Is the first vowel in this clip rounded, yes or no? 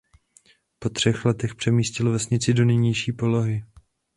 yes